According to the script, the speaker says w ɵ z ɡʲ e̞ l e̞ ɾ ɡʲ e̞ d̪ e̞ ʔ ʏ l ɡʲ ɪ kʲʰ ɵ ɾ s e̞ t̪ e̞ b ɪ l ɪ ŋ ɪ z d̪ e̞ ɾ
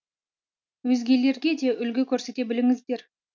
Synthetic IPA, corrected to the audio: w ɵ z ɡʲ e̞ l e̞ ɾ ɡʲ e̞ d̪ e̞ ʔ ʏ l ɡʲ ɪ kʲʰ ɵ ɾ s e̞ t̪ e̞ b ɪ l ɪ ŋ ɪ z d̪ e̞ ɾ